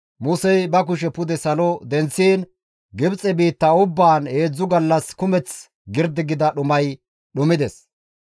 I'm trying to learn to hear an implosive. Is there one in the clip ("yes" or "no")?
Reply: yes